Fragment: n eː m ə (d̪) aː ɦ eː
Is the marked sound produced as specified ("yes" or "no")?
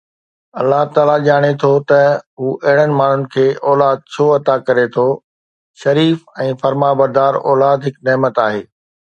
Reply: no